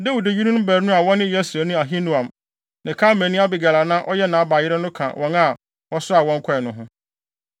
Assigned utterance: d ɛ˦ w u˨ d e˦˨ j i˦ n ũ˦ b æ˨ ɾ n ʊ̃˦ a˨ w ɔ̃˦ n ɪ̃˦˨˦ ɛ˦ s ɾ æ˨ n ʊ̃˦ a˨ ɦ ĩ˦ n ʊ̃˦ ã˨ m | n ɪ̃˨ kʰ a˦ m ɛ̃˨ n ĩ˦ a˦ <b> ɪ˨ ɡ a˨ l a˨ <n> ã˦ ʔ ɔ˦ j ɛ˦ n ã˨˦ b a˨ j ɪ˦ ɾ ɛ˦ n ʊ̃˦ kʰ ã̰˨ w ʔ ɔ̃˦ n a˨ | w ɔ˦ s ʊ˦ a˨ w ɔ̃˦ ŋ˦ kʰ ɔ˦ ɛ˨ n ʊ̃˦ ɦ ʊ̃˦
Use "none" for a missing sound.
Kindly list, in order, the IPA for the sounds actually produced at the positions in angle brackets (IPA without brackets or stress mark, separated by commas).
b, n